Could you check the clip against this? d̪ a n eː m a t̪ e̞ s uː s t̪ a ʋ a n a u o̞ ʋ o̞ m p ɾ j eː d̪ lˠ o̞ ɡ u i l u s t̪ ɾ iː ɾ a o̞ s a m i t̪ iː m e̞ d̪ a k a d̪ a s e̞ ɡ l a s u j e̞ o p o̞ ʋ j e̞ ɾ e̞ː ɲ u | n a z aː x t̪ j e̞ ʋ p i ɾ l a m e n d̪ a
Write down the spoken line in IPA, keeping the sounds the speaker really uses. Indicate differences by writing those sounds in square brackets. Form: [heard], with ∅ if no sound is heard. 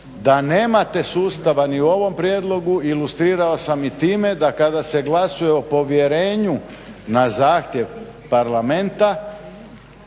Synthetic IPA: d̪ a n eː m a t̪ e̞ s uː s t̪ a ʋ a n [i] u o̞ ʋ o̞ m p ɾ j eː d̪ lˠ o̞ ɡ u i l u s t̪ ɾ iː ɾ a o̞ s a m i t̪ iː m e̞ d̪ a k a d̪ a s e̞ ɡ l a s u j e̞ o p o̞ ʋ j e̞ ɾ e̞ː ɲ u | n a z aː x t̪ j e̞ ʋ p [a] ɾ l a m e n [t̪] a